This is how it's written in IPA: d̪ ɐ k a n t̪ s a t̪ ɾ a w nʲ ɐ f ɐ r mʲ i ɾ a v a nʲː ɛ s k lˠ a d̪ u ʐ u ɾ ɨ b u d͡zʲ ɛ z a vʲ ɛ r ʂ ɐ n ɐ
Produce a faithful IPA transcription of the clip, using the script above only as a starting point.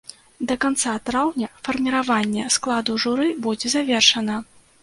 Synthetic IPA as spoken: d̪ ɐ k a n t̪ s a t̪ ɾ a w nʲ ɐ f ɐ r mʲ i ɾ a v a nʲː ɛ s k lˠ a d̪ u ʐ u ɾ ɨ b u d͡zʲ ɛ z a vʲ ɛ r ʂ ɐ n ɐ